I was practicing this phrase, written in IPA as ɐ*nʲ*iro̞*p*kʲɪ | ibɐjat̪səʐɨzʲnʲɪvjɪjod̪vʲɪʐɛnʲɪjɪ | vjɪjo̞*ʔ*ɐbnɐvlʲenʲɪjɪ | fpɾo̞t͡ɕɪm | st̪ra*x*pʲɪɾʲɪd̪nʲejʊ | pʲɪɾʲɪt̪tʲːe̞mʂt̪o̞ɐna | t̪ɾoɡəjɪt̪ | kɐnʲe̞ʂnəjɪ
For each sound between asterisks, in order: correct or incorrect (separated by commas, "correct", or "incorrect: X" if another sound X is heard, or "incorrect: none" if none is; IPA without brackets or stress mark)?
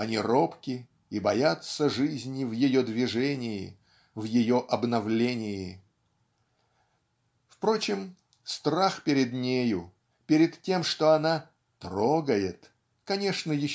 correct, correct, correct, correct